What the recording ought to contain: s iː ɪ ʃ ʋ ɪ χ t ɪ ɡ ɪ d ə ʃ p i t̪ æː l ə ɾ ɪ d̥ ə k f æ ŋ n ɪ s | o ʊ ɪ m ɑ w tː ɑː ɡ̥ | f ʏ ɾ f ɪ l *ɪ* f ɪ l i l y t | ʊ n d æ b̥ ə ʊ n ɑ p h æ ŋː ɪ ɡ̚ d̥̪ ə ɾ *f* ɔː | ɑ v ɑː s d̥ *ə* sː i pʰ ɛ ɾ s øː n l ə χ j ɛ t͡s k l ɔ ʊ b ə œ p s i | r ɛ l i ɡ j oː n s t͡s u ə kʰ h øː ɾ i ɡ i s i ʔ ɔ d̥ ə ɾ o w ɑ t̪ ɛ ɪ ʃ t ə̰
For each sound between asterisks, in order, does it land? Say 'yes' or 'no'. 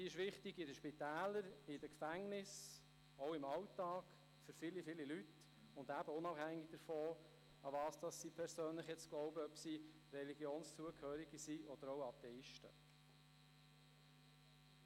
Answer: no, yes, no

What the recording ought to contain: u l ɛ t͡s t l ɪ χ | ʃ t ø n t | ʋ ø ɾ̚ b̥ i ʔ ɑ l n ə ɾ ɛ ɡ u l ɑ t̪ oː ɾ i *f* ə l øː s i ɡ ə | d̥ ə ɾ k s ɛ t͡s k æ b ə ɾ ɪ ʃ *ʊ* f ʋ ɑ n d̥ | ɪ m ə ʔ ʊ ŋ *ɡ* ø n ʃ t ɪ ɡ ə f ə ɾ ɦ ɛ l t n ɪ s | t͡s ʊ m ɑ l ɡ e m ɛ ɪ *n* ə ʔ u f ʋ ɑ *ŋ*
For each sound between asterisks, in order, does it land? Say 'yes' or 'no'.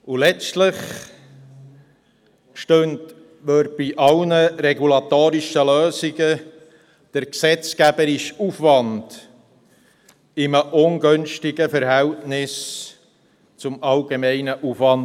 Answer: no, no, yes, yes, no

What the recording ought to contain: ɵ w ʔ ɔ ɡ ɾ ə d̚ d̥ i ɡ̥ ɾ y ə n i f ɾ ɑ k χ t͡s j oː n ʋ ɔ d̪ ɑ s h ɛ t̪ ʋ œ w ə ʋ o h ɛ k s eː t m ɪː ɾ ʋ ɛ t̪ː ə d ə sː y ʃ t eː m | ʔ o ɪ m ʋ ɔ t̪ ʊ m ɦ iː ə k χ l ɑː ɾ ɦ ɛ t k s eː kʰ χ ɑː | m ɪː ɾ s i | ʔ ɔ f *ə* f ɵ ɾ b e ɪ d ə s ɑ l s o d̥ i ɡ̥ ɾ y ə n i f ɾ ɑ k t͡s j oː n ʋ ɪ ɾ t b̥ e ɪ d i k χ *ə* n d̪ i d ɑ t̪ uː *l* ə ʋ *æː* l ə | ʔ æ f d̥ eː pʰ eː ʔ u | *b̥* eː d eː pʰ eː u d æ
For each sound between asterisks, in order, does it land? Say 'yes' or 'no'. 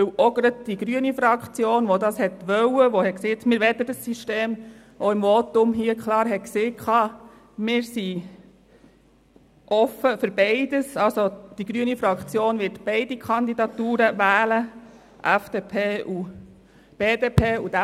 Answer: yes, no, no, yes, yes

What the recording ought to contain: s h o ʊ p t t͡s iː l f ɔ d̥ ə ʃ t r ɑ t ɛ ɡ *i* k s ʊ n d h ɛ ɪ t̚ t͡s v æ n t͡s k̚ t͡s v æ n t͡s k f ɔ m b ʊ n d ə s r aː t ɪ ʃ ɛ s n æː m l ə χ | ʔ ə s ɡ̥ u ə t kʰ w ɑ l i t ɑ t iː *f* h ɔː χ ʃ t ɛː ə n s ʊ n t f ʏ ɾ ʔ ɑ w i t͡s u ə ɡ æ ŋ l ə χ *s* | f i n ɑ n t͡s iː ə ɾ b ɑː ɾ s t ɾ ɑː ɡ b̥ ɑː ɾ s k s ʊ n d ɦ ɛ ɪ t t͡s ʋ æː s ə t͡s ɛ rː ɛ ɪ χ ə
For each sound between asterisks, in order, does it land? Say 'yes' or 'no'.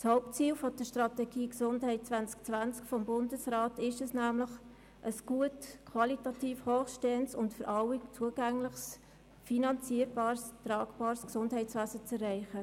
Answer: no, yes, yes

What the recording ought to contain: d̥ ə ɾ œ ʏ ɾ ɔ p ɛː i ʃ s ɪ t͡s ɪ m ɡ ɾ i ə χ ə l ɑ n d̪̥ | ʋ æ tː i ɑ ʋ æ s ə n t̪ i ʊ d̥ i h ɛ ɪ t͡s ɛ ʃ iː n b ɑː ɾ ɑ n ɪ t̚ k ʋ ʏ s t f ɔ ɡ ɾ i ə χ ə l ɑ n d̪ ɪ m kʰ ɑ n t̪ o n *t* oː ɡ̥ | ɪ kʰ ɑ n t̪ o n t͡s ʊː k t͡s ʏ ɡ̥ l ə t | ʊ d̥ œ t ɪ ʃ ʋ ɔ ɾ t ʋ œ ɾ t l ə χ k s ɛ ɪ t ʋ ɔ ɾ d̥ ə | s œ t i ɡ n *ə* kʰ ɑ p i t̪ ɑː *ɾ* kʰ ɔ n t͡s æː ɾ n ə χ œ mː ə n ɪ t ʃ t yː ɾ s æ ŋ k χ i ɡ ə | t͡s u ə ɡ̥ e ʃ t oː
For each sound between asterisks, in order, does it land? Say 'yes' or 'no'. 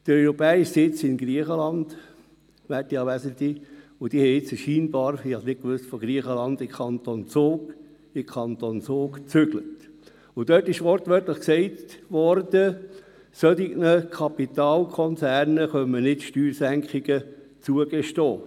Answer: no, yes, no

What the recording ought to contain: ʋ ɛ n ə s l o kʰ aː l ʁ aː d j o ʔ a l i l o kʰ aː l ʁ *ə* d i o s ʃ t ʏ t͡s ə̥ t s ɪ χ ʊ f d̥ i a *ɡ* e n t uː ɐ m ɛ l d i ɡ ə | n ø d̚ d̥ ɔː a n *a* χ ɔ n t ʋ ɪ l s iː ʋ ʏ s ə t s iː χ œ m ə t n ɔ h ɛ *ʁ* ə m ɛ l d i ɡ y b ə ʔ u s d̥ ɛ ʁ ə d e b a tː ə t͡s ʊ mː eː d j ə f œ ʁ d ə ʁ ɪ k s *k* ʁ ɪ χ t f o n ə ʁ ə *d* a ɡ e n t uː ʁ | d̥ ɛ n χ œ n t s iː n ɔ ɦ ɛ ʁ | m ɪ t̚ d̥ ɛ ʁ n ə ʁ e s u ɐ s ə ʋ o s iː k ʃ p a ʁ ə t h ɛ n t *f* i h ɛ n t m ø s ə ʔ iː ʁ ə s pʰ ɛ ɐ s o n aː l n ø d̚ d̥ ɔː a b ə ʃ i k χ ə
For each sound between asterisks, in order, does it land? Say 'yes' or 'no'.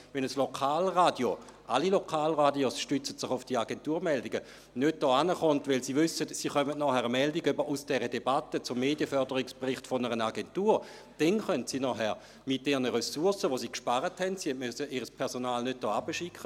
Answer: no, yes, no, yes, no, no, no

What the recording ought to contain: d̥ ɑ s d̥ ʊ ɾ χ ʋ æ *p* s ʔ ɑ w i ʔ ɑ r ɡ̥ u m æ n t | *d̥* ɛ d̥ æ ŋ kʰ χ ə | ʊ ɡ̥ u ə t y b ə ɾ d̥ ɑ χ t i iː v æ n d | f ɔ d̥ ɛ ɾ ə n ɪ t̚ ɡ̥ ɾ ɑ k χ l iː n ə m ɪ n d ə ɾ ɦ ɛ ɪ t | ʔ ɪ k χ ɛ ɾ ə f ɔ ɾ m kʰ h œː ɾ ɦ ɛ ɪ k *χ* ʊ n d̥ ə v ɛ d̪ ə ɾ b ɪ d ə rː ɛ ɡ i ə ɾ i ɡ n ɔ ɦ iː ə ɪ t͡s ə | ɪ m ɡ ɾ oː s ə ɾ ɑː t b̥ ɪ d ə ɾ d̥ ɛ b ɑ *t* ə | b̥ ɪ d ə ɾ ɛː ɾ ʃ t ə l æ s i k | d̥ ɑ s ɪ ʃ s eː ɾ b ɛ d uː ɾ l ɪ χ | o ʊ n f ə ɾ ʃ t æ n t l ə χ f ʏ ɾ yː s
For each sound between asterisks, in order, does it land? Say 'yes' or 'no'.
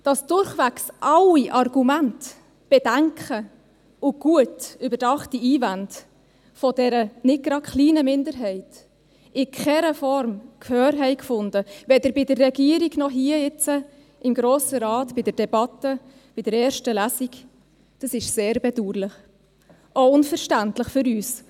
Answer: no, no, no, yes

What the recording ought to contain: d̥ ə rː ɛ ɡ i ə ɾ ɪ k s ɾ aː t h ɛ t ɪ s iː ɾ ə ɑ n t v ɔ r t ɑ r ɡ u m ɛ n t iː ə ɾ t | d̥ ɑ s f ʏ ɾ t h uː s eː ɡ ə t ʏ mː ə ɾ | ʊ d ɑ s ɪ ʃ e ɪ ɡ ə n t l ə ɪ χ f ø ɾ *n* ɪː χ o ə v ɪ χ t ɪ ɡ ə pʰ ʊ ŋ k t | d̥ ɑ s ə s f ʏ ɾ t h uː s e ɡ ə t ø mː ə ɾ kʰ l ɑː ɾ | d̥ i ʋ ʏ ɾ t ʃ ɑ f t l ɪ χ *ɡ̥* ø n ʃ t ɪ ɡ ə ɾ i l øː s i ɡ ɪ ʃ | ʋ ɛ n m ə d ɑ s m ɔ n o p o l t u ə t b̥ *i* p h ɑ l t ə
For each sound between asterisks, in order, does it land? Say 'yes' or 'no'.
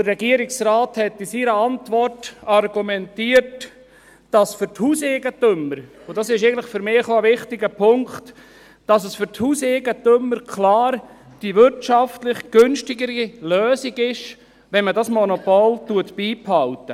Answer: no, yes, no

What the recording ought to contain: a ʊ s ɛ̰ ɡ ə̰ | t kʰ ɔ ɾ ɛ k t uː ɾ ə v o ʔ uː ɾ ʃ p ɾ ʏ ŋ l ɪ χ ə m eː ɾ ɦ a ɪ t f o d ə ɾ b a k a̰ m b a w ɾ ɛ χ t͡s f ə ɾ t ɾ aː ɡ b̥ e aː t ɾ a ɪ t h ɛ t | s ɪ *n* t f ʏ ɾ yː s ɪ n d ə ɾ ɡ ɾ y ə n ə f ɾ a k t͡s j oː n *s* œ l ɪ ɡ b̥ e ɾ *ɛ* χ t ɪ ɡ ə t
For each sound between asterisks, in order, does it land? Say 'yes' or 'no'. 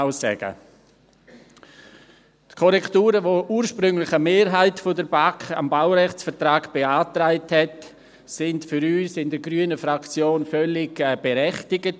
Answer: yes, no, yes

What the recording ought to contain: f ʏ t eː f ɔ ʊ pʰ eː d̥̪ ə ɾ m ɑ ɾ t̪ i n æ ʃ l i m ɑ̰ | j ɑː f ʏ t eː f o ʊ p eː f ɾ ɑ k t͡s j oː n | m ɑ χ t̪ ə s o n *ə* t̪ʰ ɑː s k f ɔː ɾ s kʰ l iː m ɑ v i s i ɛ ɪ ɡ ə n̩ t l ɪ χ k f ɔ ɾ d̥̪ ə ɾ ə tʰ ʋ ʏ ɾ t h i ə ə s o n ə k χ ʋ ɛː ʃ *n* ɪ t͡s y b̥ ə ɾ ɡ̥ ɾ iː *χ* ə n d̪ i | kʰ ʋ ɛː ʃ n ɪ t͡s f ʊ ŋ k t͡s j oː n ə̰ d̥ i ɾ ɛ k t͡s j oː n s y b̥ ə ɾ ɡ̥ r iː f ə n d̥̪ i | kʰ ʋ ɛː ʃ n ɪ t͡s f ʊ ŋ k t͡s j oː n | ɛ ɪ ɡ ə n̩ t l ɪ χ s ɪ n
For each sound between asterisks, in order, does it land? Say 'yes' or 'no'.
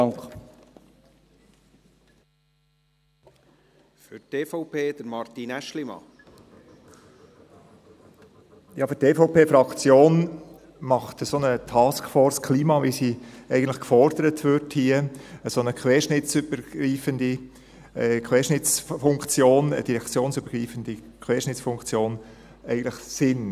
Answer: yes, yes, no

